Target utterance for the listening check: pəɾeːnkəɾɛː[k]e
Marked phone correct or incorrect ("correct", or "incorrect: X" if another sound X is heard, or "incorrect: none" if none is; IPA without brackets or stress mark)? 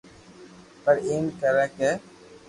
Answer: correct